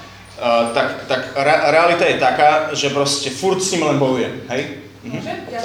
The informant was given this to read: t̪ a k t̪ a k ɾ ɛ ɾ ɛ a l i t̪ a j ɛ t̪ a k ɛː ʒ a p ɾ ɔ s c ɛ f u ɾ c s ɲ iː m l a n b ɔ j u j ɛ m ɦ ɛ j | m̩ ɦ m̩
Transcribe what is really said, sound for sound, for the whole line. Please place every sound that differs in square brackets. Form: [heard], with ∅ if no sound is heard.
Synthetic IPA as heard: t̪ a k t̪ a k ɾ ɛ ɾ ɛ a l i t̪ a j ɛ t̪ a k [aː] ʒ [ɛ] p ɾ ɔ s c ɛ f u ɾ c s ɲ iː m l [ɛ] n b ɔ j u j ɛ m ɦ ɛ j | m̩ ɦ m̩